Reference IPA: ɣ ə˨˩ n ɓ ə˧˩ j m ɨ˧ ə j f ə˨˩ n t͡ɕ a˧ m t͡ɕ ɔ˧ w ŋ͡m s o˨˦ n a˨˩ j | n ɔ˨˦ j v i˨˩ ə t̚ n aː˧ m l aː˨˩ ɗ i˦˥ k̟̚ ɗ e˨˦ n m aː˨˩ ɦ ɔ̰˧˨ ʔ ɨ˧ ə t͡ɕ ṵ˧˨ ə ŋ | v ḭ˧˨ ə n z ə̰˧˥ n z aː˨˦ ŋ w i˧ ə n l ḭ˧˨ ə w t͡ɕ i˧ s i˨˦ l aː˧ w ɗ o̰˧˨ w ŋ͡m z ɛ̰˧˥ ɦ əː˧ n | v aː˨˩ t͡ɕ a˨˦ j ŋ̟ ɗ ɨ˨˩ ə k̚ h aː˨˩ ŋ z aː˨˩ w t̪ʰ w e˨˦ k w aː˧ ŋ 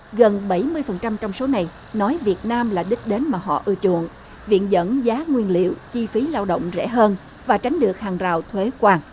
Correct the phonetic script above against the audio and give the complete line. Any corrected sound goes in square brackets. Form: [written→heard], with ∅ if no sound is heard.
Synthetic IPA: ɣ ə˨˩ n ɓ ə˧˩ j m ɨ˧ ə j f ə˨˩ n t͡ɕ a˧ m t͡ɕ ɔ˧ w ŋ͡m s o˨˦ n a˨˩ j | n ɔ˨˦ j v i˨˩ ə t̚ n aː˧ m l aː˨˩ ɗ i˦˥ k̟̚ ɗ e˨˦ n m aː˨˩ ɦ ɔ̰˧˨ ʔ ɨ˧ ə t͡ɕ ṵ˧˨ ə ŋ | v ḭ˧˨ ə n z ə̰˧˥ n z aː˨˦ ŋ w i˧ ə n l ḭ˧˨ ə w t͡ɕ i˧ [s→f] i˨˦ l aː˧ w ɗ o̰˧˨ w ŋ͡m z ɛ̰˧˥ ɦ əː˧ n | v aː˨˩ t͡ɕ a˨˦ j ŋ̟ ɗ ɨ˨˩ ə k̚ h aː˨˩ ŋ z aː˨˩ w t̪ʰ w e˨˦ k w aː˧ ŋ